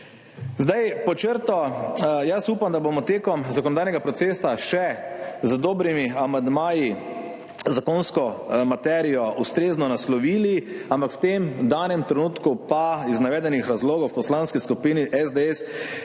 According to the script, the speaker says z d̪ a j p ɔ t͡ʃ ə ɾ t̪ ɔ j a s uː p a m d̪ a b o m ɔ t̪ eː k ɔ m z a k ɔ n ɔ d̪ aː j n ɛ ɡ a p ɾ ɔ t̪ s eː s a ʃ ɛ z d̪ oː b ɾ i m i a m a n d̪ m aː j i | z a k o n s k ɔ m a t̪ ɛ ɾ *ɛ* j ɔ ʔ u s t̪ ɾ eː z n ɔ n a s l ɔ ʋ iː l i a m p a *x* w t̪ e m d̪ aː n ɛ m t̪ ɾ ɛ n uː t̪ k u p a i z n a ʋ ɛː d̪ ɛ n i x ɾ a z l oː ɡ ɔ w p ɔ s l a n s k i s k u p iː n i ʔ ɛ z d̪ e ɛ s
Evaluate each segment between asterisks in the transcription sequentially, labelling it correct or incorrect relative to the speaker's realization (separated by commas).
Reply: incorrect, incorrect